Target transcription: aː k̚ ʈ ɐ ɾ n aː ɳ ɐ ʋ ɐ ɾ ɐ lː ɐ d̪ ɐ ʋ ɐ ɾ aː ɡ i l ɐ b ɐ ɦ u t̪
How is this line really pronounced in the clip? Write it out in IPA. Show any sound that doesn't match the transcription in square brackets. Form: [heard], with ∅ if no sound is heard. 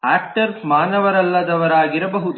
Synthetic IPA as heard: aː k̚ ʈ ɐ ɾ [m] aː [n] ɐ ʋ ɐ ɾ ɐ lː ɐ d̪ ɐ ʋ ɐ ɾ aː ɡ i [ɾ] ɐ b ɐ ɦ u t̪